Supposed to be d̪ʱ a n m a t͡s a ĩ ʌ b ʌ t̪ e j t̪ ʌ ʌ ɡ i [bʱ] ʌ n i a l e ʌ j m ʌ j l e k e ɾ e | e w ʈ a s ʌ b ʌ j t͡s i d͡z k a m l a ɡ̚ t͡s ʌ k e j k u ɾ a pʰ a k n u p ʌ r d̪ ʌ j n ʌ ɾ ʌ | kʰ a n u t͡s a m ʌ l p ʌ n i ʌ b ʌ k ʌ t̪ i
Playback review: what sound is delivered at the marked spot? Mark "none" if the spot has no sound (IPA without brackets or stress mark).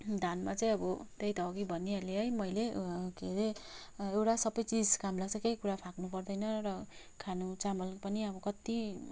bʱ